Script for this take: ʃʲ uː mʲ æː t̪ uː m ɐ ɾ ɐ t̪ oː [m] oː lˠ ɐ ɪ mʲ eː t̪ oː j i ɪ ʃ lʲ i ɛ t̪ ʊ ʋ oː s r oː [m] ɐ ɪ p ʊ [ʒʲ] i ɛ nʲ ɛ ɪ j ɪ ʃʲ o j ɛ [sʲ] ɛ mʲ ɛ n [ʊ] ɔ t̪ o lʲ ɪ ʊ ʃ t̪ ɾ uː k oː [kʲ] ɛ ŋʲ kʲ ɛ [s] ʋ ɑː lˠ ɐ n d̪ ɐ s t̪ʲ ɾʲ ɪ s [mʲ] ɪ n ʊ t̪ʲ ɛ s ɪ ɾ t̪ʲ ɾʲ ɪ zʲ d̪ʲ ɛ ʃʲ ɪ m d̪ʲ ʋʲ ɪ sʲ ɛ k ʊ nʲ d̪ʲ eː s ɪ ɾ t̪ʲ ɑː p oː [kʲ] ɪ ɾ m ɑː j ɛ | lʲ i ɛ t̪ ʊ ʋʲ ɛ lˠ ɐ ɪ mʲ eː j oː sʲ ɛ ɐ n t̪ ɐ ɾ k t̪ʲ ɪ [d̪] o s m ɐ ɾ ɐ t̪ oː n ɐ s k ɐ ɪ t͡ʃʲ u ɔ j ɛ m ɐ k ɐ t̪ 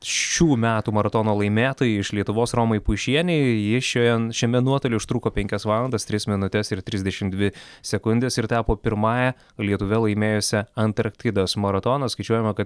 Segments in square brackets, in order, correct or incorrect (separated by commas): incorrect, correct, incorrect, incorrect, incorrect, incorrect, correct, correct, incorrect, correct